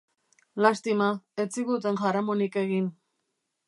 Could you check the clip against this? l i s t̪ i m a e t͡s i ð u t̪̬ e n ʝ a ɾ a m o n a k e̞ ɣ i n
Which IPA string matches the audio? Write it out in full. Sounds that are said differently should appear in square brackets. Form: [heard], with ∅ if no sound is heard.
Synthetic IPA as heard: l [a] s t̪ i m a e t͡s i [ɣ] u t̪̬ e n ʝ a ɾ a m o n [i] k e̞ ɣ i n